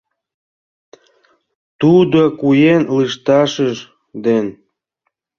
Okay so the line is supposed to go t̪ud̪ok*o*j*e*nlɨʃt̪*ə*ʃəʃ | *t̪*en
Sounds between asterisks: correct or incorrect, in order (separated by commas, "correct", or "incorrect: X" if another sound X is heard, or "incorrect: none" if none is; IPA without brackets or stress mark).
incorrect: u, correct, incorrect: ɑ, incorrect: d̪